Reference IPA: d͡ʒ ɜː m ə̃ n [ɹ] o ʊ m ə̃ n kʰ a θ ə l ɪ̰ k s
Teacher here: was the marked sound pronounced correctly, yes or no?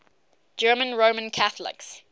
yes